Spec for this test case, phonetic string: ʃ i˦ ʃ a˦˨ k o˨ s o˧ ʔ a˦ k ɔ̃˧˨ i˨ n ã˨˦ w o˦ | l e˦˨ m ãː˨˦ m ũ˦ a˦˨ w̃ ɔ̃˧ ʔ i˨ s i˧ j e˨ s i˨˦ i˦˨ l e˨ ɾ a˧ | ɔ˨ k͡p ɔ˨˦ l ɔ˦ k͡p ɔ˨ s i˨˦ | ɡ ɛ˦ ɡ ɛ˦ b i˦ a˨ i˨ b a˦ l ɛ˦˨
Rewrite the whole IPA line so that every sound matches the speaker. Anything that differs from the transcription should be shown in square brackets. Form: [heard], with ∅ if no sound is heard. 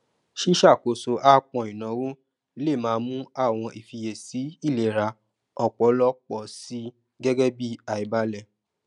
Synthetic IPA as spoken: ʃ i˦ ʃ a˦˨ k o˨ s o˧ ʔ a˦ [k͡p] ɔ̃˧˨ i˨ n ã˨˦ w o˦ | l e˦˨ m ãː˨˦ m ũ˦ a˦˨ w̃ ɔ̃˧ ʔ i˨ [f] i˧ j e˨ s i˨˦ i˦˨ l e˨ ɾ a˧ | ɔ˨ k͡p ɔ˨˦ l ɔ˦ k͡p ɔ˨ s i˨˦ | ɡ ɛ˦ ɡ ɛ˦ b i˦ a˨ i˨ b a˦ l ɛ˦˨